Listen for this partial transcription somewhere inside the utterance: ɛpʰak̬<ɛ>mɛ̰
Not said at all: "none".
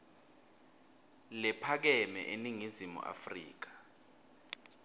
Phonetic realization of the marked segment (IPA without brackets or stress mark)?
ɛ